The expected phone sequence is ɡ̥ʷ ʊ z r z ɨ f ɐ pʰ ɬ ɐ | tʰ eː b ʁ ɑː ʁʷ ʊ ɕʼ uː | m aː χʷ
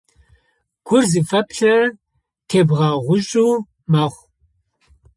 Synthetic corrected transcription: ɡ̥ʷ ʊ r z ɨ f ɐ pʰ ɬ ɐ | tʰ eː b ʁ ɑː ʁʷ ʊ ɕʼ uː | m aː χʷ

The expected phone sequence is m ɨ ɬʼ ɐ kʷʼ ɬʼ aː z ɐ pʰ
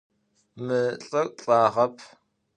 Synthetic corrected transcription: m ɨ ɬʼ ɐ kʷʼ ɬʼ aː ʁ ɐ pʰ

